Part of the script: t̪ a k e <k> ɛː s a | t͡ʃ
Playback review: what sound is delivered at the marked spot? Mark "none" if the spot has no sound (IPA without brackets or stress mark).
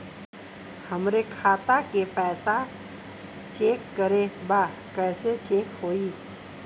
p